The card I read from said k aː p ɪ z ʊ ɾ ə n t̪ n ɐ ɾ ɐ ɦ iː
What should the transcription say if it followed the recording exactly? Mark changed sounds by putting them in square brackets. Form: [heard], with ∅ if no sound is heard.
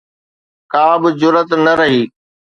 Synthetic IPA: k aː [b] ɪ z ʊ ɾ ə [∅] t̪ n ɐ ɾ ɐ ɦ iː